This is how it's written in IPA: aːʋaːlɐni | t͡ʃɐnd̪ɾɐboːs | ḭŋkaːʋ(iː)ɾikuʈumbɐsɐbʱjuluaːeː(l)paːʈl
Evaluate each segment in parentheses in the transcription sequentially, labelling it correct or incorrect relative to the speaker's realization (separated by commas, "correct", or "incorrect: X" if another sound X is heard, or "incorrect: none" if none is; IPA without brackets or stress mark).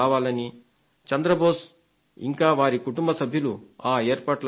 incorrect: aː, incorrect: ɾ